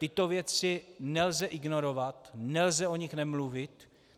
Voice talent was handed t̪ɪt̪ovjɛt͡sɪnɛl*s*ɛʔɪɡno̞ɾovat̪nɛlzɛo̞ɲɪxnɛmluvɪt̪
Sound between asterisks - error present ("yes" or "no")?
yes